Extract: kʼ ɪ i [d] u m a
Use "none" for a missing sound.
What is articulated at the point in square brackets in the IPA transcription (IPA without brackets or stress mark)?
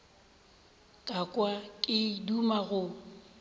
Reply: d